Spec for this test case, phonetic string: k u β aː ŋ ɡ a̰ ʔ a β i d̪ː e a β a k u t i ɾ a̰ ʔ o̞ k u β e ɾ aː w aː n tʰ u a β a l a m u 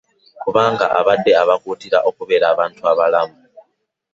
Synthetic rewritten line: k u β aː ŋ ɡ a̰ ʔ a β a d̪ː e a β a k u t i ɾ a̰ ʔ o̞ k u β e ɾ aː β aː n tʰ u a β a l a m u